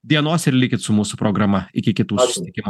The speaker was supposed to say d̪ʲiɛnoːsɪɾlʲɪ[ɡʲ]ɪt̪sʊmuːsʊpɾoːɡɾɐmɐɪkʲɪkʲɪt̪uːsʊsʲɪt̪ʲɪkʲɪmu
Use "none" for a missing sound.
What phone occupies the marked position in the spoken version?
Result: kʲ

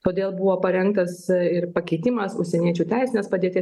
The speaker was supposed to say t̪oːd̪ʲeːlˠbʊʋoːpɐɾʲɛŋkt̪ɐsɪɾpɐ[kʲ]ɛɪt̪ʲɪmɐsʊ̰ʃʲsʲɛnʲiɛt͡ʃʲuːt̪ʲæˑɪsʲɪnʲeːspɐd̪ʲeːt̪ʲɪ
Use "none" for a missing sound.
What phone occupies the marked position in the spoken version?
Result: kʲ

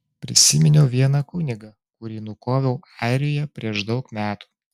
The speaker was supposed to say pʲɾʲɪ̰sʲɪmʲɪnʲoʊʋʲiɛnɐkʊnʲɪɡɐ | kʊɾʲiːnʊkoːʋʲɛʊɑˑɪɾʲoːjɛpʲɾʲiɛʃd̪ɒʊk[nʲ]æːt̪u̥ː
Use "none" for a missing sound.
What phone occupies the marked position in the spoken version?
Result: mʲ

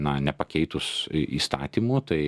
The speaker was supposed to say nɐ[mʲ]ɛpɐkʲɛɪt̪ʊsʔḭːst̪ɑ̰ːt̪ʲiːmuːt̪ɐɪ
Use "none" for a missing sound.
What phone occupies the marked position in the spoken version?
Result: nʲ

